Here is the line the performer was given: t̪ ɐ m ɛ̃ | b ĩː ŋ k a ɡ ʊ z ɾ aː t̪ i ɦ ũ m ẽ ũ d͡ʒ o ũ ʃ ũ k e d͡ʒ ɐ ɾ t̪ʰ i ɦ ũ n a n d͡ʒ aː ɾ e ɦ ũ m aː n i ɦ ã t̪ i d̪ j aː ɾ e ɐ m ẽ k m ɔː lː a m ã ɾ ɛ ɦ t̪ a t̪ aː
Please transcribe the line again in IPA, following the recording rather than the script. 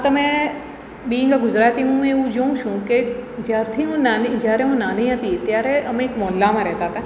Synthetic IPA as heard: t̪ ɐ m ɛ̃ | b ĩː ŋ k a ɡ ʊ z ɾ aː t̪ i ɦ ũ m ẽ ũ d͡ʒ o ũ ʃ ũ k e d͡ʒ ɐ ɾ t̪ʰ i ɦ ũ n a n d͡ʒ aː ɾ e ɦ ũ n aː n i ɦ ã t̪ i t̪ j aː ɾ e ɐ m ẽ k m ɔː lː a m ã ɾ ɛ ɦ t̪ a t̪ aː